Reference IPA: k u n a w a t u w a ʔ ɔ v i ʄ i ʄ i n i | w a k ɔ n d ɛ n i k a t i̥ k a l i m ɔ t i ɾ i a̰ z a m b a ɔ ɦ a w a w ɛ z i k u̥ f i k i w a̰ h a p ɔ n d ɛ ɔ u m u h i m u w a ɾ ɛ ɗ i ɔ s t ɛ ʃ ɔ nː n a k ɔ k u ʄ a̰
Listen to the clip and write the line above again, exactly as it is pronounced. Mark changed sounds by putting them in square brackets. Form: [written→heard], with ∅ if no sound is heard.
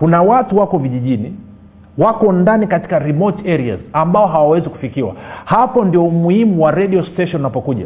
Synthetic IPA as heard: k u n a w a t u w a [ʔ→k] ɔ v i ʄ i ʄ i n i | w a k ɔ n d [ɛ→a] n i k a t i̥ k a [l→ɾ] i m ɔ t [i→ɛ] ɾ i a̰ z a m b a ɔ ɦ a w a w ɛ z i k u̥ f i k i w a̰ h a p ɔ n d [ɛ→i] ɔ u m u h i m u w a ɾ ɛ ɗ i ɔ s t ɛ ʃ ɔ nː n a [k→p] ɔ k u ʄ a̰